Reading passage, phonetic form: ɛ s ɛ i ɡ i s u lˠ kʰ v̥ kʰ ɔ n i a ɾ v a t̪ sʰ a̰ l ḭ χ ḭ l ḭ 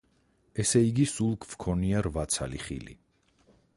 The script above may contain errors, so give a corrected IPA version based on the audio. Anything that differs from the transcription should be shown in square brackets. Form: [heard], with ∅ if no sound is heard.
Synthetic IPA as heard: ɛ s ɛ i ɡ i s u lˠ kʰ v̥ kʰ ɔ n i a ɾ v a t̪ sʰ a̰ l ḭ χ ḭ l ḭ